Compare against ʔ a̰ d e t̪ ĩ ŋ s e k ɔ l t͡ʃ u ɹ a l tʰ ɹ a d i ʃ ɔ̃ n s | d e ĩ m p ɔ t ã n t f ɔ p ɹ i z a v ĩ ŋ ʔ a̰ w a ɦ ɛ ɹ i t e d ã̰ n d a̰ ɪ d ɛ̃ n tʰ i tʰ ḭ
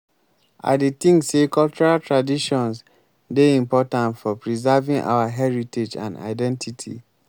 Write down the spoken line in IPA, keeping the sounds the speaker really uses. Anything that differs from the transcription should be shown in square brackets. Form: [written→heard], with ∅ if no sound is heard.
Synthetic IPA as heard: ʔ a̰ d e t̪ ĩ ŋ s e k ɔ l t͡ʃ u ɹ a l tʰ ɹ a d i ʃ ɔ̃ n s | d e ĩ m p ɔ t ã n t f ɔ p ɹ i z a v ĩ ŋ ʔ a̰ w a ɦ ɛ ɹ i t e [d→d͡ʒ] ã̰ n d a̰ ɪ d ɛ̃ n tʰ i tʰ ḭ

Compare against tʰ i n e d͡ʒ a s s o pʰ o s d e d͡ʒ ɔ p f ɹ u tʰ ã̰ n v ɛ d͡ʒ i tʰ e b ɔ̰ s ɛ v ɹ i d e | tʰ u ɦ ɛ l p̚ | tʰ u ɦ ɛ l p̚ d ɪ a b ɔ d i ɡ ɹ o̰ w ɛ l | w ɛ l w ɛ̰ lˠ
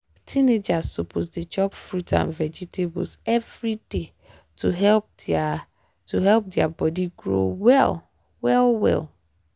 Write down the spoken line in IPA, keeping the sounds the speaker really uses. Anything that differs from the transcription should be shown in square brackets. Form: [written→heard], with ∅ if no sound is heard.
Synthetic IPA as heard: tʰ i n e d͡ʒ a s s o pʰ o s d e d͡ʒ ɔ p f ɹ u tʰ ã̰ n v ɛ d͡ʒ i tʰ e b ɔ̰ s ɛ v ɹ i d e | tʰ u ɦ ɛ l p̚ | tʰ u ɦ ɛ l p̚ d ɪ a b ɔ d i ɡ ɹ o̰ w ɛ l | w ɛ l w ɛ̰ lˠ

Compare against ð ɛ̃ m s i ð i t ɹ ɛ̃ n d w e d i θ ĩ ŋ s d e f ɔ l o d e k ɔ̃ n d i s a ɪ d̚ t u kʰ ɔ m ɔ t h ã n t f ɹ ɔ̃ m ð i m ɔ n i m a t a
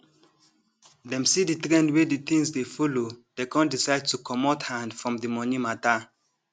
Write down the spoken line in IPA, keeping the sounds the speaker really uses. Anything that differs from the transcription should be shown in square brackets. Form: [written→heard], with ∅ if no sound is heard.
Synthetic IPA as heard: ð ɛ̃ m s i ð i t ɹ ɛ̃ n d w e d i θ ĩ ŋ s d e f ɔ l o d e k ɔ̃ n d i s a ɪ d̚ t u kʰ ɔ m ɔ t h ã n [t→d] f ɹ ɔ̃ m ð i m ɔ n i m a t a

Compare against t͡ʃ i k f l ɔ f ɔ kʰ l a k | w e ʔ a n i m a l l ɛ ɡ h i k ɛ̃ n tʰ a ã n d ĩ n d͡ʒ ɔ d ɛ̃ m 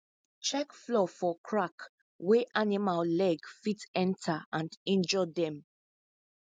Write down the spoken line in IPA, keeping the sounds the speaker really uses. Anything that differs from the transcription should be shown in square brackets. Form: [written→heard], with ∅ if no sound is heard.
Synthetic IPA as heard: t͡ʃ [i→ɛ] k f l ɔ f ɔ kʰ [l→ɹ] a k | w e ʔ a n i m a l l ɛ ɡ [h→f] i [k→t] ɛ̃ n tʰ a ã n d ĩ n d͡ʒ ɔ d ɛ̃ m

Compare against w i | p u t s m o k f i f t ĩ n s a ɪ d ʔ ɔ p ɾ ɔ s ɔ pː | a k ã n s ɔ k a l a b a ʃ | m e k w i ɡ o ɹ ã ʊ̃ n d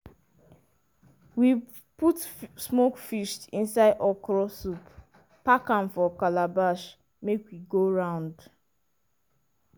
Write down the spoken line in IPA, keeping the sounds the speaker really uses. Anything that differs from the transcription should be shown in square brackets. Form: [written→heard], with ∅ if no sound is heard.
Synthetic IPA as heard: w i | p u t s m o k f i [f→ʃ] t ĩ n s a ɪ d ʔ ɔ [p→k] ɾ ɔ s [ɔ→u] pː | a k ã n [s→f] ɔ k a l a b a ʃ | m e k w i ɡ o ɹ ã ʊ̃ n d

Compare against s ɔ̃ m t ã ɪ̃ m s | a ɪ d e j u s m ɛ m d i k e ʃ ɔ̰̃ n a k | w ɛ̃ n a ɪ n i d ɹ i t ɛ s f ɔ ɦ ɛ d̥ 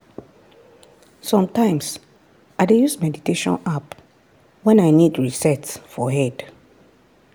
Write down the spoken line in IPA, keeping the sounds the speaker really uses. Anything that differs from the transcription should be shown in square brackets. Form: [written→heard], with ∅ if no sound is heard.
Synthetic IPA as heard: s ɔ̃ m t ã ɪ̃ m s | a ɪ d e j u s m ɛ [m→∅] d i [k→t] e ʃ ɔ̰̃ n a [k→p] | w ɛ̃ n a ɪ n i d ɹ i [t→s] ɛ [s→t] f ɔ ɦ ɛ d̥

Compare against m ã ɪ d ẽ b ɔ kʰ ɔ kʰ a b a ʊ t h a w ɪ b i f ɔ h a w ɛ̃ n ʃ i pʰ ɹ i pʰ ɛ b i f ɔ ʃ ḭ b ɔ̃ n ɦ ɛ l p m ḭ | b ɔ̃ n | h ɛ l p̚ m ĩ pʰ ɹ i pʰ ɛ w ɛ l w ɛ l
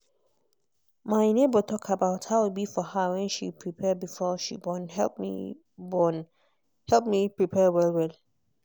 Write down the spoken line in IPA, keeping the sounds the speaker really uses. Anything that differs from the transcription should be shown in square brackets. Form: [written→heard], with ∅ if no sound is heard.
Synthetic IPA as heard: m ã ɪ [d→n] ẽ b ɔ [kʰ→tʰ] ɔ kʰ a b a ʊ t h a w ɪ b i f ɔ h a w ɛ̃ n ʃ i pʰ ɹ i pʰ ɛ b i f ɔ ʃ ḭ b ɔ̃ n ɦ ɛ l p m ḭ | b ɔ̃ n | h ɛ l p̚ m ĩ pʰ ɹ i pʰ ɛ w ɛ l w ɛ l

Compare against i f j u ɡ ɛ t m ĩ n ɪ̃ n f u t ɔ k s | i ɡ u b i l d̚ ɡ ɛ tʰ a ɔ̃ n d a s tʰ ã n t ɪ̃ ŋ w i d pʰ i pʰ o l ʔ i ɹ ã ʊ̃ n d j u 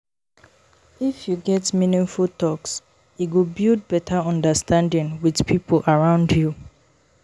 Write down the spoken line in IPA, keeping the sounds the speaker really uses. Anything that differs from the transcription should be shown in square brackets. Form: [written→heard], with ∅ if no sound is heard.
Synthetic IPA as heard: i f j u ɡ ɛ t m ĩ n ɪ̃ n f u t ɔ k s | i ɡ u b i l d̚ [ɡ→b] ɛ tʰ a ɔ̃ n d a s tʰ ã n [t→d] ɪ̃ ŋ w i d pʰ i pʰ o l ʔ [i→a] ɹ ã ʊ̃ n d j u

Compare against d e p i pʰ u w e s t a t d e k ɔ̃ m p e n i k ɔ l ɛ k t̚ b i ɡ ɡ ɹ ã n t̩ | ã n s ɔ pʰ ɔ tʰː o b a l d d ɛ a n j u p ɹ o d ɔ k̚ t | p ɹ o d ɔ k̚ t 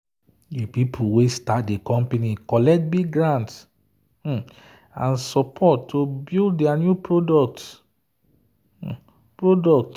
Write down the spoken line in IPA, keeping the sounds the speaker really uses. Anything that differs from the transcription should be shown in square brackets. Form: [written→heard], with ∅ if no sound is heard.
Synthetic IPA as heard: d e p i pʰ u w e s t a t d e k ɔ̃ m p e n i k ɔ l ɛ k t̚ b i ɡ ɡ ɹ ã n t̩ | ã n s ɔ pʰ ɔ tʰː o b [a→i] l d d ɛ a n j u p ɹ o d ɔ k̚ t | p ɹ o d ɔ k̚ t

